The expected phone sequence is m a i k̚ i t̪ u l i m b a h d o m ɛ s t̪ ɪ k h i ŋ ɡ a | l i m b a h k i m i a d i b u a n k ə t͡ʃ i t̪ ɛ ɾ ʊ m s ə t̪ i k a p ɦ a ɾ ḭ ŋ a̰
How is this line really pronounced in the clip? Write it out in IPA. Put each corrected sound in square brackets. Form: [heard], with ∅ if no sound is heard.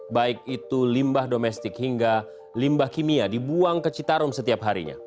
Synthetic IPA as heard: [b] a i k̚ i t̪ u l i m b a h d o m ɛ s t̪ ɪ k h i ŋ ɡ a | l i m b a h k i m i a d i b u a [ŋ] k ə t͡ʃ i t̪ [a] ɾ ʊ m s ə t̪ i [∅] a p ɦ a ɾ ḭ [ɲ] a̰